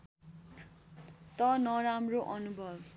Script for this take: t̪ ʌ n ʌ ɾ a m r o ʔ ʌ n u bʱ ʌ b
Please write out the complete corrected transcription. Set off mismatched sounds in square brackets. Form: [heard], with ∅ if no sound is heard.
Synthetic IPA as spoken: t̪ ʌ n ʌ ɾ a m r o ʔ ʌ n u bʱ ʌ b